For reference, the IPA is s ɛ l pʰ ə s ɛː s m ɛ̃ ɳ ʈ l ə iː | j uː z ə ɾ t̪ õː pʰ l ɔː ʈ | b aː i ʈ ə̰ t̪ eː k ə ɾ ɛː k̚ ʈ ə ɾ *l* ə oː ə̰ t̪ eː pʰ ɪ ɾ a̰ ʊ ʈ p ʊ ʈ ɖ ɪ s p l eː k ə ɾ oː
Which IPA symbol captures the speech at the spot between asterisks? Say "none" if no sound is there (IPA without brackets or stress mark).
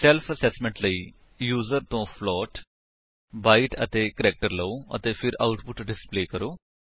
l